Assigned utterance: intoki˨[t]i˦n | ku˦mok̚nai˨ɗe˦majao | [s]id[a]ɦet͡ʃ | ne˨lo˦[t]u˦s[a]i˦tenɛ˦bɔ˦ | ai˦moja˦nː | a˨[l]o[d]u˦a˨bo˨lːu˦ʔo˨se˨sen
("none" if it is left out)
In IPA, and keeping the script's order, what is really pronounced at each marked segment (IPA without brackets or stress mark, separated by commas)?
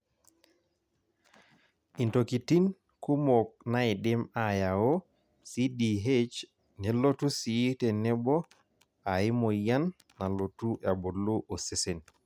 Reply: t, s, i, t, i, l, t